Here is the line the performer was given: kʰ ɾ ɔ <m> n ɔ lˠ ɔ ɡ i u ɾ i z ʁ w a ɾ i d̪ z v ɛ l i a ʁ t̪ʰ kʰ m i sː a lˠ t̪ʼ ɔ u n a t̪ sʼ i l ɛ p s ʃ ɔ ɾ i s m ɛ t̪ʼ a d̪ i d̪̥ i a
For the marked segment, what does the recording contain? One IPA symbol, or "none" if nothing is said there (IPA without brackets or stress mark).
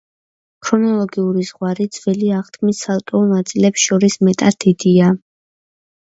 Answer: none